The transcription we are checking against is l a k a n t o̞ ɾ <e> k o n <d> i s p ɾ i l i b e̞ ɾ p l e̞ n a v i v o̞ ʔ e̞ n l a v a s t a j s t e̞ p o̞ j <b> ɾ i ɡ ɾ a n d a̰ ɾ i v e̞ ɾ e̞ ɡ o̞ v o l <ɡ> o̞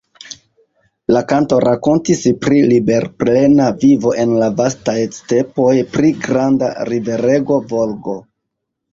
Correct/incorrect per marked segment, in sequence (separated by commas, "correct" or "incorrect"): incorrect, incorrect, incorrect, correct